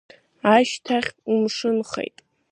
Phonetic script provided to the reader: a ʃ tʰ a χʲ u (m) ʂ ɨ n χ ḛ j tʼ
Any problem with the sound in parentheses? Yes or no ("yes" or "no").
no